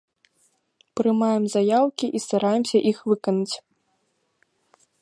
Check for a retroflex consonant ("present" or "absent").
absent